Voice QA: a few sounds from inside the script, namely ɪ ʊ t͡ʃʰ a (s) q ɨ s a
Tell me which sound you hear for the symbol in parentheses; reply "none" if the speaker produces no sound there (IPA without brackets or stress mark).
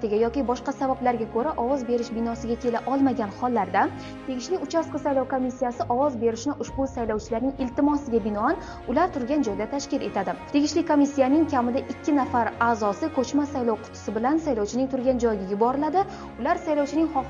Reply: s